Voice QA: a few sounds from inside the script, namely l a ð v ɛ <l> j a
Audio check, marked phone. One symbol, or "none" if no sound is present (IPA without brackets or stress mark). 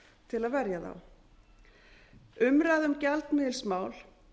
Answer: ɾ